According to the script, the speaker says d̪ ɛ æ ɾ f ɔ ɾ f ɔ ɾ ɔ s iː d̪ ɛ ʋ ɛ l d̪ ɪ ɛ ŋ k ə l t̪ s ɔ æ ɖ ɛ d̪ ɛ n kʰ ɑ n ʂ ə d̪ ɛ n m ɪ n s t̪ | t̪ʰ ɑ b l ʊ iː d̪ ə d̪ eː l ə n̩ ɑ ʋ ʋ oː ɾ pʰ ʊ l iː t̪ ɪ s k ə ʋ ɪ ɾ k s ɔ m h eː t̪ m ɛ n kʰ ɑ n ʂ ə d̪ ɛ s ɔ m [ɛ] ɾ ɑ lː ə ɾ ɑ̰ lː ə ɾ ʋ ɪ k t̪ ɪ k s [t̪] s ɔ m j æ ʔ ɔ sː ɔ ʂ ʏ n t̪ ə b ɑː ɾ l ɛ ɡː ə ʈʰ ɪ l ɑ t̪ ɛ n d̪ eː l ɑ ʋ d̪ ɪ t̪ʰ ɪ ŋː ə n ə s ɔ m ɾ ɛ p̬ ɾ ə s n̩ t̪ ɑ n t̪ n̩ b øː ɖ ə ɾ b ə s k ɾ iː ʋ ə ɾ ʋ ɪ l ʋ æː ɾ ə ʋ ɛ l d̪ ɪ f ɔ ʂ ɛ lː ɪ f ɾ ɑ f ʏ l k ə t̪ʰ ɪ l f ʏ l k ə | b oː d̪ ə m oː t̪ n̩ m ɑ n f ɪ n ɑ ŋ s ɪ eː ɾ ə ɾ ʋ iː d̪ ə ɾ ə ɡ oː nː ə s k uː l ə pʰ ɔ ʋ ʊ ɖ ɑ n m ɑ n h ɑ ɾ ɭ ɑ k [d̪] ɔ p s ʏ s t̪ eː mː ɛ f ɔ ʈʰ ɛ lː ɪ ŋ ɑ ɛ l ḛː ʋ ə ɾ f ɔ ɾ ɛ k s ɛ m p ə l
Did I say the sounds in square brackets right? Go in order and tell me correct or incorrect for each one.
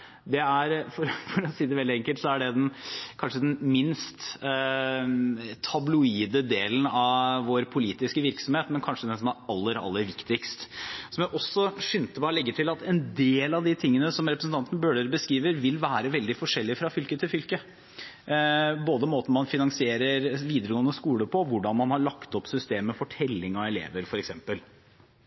incorrect: æ, correct, incorrect: t̪

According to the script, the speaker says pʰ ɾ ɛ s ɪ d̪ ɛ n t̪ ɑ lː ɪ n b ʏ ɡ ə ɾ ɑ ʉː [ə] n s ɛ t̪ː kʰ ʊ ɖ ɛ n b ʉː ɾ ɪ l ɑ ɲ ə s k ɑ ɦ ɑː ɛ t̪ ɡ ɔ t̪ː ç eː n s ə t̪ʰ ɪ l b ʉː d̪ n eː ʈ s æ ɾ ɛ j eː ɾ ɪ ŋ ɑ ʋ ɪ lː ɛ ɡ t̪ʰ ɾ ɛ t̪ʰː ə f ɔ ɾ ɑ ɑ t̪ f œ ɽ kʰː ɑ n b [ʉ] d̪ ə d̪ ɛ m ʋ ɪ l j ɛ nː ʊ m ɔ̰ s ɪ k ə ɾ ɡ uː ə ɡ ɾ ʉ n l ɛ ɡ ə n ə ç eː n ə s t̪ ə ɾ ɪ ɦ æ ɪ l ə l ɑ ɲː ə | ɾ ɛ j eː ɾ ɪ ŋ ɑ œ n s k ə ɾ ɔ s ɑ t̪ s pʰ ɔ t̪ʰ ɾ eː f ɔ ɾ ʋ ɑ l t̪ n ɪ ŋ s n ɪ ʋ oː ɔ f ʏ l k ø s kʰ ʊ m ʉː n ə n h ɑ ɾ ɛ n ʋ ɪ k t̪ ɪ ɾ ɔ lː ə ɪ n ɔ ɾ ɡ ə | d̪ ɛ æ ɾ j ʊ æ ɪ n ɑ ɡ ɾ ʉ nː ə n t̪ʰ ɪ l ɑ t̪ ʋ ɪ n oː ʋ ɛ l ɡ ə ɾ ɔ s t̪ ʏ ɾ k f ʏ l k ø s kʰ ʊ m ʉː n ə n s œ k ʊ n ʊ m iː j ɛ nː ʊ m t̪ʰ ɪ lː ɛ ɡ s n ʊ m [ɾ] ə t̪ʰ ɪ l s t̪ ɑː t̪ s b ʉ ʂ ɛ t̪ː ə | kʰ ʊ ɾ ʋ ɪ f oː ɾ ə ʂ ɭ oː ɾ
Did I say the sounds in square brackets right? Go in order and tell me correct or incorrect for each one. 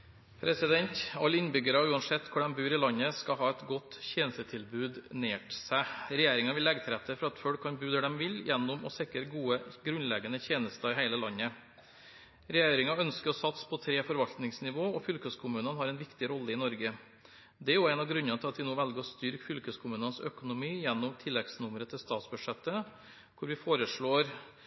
incorrect: ɑ, incorrect: ʉː, correct

